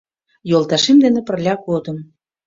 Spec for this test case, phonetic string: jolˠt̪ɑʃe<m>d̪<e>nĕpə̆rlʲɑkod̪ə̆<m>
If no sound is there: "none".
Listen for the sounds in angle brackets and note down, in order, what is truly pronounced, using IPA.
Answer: m, e, m

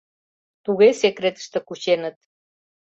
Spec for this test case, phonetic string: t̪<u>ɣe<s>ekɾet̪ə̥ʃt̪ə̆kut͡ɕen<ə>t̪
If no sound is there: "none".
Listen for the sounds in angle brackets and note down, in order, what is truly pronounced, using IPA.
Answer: u, s, ə

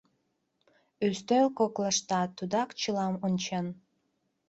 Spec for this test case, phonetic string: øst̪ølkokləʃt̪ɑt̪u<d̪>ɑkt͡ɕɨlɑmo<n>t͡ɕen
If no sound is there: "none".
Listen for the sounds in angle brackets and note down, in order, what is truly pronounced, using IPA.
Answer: d̪, n

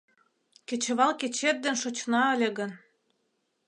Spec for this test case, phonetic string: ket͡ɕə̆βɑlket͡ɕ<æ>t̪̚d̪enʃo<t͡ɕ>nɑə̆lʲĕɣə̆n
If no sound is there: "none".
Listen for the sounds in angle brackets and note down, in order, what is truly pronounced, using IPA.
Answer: e, t͡ɕ

